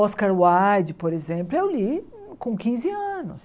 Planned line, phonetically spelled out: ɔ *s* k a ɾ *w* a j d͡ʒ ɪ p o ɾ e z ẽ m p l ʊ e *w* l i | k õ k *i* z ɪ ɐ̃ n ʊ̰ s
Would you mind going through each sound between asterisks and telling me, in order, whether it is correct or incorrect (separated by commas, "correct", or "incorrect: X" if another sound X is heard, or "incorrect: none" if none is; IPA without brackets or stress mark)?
correct, correct, correct, incorrect: ĩ